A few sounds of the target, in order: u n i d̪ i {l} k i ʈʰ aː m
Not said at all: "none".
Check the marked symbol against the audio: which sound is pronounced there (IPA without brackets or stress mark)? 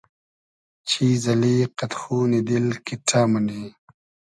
l